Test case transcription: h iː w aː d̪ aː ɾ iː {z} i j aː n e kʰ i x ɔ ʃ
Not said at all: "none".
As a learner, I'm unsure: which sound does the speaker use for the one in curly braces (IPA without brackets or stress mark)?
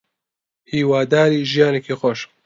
ʒ